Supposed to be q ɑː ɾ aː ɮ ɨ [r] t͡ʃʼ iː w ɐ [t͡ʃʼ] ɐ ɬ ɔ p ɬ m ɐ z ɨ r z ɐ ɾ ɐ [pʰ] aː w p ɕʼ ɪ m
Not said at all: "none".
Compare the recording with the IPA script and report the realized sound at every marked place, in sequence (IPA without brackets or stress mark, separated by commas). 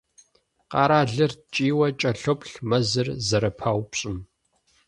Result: r, t͡ʃʼ, pʰ